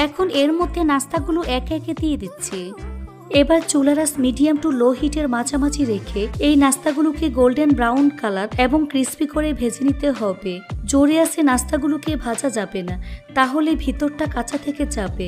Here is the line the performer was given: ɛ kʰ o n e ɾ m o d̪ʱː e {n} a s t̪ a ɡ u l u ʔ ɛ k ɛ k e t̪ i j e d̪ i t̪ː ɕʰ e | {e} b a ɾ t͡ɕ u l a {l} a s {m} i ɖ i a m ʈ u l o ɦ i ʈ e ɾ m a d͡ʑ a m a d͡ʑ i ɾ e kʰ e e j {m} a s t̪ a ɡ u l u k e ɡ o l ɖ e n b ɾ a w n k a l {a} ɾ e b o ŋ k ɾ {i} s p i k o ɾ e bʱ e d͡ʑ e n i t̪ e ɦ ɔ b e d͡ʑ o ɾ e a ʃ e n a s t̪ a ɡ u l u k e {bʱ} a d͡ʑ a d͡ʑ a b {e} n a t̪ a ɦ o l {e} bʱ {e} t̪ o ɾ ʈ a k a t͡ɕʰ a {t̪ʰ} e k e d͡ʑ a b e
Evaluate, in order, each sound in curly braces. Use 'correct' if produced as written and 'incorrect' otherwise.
correct, correct, incorrect, correct, incorrect, correct, correct, correct, correct, correct, incorrect, correct

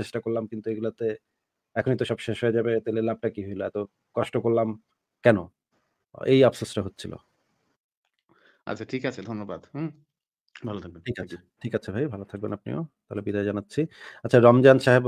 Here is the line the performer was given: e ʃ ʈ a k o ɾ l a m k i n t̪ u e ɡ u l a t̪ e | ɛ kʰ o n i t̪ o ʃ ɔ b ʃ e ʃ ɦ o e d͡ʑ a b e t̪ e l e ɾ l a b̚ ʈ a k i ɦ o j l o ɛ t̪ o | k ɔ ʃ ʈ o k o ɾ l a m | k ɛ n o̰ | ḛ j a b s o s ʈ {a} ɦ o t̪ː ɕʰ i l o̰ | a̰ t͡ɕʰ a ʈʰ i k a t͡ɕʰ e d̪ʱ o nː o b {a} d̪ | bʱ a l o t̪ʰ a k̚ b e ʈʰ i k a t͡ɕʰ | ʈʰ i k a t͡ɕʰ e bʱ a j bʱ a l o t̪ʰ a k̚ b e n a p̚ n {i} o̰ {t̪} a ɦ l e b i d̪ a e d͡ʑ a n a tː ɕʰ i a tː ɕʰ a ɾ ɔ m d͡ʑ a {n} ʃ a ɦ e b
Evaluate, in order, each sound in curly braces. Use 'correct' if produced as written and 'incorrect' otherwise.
correct, correct, correct, correct, correct

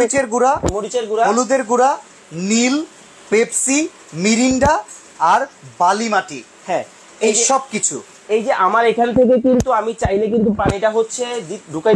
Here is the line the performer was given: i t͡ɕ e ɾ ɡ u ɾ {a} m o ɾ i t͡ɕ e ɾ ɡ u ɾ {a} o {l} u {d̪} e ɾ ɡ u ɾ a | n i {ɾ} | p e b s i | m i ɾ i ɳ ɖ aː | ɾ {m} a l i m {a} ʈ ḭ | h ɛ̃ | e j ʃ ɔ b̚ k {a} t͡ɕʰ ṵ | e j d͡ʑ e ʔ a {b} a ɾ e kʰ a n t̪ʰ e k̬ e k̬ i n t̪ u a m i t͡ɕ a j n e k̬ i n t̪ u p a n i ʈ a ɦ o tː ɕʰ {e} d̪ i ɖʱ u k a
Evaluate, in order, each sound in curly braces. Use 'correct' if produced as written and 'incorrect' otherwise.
correct, correct, correct, correct, incorrect, incorrect, correct, incorrect, incorrect, correct

